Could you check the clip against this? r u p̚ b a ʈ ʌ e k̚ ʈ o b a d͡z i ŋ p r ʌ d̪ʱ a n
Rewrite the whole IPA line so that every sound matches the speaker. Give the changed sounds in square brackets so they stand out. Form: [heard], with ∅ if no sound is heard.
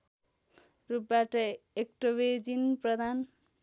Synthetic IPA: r u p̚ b a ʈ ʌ e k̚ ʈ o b [e] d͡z i [n] p r ʌ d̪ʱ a n

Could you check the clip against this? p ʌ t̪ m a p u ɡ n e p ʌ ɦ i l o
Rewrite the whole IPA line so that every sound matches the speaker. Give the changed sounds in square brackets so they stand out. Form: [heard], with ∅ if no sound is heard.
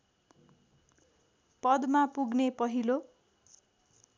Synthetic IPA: p ʌ [d̪] m a p u ɡ n e p ʌ ɦ i l o

